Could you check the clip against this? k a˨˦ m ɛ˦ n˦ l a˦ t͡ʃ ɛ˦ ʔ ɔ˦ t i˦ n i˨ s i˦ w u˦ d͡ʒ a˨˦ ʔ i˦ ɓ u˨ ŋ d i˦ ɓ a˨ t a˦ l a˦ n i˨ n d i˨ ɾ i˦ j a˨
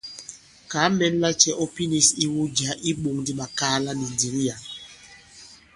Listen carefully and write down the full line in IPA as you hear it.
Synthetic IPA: k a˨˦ m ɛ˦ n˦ l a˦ t͡ʃ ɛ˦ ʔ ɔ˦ p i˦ n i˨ s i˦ w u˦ d͡ʒ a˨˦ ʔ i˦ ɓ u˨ ŋ d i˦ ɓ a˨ k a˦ l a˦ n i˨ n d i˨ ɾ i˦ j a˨